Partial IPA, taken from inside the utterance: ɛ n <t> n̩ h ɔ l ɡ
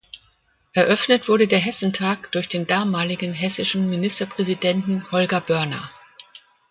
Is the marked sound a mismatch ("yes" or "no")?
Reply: no